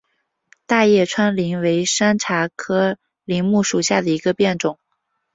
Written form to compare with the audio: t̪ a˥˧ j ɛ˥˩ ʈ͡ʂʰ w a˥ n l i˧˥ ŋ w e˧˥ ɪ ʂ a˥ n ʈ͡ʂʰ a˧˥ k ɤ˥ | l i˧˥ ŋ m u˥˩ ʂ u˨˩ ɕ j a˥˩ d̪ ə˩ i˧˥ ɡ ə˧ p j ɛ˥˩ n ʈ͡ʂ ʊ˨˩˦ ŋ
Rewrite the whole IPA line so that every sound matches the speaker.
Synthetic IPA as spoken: t̪ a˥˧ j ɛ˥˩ ʈ͡ʂʰ w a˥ n l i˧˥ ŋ w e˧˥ ɪ ʂ a˥ n ʈ͡ʂʰ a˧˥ kʰ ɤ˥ | l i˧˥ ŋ m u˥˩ ʂ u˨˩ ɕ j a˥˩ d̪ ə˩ i˧˥ ɡ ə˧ p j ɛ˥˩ n ʈ͡ʂ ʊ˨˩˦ ŋ